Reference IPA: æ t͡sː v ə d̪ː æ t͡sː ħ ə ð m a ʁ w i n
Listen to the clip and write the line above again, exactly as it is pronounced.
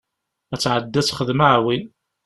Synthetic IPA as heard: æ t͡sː ʕ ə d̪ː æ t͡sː χ ə ð m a ʕ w i n